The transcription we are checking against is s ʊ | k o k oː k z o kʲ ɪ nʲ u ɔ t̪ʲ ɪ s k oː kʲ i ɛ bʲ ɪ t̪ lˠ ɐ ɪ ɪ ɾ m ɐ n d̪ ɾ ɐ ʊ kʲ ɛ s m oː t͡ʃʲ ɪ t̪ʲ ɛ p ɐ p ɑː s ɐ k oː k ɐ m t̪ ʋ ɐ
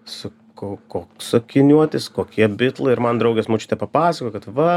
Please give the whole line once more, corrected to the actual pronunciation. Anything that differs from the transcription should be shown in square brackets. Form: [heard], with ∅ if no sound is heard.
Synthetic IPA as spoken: s ʊ | k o k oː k [s] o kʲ ɪ nʲ u ɔ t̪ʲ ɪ s k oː kʲ i ɛ bʲ ɪ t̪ lˠ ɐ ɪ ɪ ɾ m ɐ n d̪ ɾ ɐ ʊ [ɡʲ] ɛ s m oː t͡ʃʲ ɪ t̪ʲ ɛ p ɐ p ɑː s ɐ k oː k ɐ [∅] t̪ ʋ ɐ